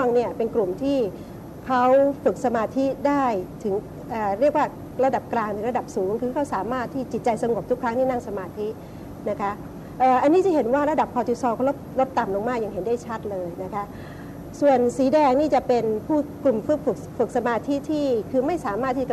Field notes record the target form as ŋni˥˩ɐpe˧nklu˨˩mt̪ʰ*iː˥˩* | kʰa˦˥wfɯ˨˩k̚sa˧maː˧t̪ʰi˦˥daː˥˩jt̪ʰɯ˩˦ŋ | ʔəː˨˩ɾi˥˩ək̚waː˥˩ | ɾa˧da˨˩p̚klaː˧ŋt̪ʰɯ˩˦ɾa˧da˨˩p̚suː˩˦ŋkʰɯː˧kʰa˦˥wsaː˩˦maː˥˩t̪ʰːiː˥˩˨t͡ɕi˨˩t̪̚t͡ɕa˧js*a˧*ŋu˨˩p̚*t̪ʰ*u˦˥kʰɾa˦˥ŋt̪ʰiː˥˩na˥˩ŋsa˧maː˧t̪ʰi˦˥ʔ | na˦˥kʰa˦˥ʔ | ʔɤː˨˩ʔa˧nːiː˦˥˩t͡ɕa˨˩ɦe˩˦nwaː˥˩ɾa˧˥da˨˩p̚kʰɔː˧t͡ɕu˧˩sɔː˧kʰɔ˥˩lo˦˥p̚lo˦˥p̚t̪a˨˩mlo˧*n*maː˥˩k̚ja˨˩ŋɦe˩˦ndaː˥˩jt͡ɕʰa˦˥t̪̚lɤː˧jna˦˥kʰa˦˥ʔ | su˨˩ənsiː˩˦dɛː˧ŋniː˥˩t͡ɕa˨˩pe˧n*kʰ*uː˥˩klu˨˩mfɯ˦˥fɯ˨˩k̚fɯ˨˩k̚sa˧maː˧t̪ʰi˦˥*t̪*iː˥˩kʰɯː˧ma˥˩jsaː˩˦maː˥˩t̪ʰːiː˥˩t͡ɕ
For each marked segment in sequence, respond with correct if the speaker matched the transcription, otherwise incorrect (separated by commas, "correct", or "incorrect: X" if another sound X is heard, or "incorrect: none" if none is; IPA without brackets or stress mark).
correct, correct, incorrect: t̪, incorrect: ŋ, incorrect: pʰ, incorrect: t̪ʰ